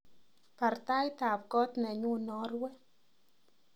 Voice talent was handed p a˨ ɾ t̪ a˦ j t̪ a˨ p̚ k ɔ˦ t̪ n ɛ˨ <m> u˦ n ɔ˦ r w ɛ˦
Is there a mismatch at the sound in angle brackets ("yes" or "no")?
yes